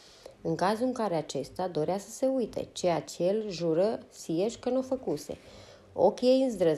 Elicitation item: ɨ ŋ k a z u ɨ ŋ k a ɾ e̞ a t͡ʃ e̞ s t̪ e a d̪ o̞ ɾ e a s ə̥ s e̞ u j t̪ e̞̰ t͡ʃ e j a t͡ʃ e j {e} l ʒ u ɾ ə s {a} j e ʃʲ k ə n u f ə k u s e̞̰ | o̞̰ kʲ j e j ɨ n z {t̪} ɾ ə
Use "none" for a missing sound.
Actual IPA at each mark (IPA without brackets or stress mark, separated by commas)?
e, i, d̪